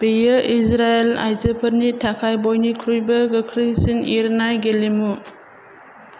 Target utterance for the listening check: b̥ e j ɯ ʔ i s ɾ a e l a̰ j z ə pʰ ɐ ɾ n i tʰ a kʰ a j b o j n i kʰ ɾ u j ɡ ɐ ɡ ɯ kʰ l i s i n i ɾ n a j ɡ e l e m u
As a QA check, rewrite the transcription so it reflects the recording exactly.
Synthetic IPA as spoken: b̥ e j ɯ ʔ i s ɾ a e l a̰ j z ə pʰ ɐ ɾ n i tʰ a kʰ a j b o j n i kʰ ɾ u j b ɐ ɡ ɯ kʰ ɾ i s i n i ɾ n a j ɡ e l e m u